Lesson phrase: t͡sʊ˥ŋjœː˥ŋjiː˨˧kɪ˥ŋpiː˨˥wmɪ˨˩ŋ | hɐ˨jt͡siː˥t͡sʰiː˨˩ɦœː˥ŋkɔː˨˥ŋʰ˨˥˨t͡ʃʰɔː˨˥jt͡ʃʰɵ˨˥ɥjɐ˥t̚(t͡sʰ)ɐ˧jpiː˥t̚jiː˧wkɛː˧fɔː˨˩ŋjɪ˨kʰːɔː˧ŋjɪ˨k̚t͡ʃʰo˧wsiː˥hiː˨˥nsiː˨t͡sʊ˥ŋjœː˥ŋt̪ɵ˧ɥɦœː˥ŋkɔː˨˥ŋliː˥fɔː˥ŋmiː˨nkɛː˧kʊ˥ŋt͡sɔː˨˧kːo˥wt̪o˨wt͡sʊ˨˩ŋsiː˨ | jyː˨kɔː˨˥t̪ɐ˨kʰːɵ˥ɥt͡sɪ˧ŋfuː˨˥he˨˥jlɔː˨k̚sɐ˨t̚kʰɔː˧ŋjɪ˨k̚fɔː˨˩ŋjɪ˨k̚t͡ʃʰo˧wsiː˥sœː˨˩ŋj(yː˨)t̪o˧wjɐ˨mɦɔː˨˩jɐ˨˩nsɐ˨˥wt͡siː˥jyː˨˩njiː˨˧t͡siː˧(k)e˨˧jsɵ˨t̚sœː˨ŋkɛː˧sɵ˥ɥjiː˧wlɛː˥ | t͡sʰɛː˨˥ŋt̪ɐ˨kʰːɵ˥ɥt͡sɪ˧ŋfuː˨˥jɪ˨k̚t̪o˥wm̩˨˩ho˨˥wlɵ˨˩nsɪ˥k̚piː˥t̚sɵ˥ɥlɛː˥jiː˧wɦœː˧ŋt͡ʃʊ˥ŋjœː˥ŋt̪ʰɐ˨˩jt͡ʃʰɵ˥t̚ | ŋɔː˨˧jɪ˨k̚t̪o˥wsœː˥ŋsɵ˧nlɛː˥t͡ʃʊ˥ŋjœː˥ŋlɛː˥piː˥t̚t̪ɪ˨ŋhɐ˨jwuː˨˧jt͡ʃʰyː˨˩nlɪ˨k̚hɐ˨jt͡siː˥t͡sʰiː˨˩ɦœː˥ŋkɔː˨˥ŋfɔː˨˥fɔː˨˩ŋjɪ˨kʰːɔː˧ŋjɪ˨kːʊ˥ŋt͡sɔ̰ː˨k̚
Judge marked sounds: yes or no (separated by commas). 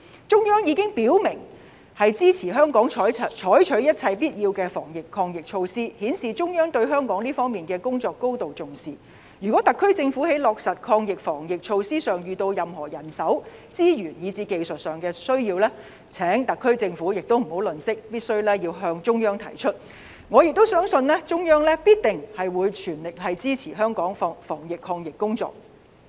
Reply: yes, yes, yes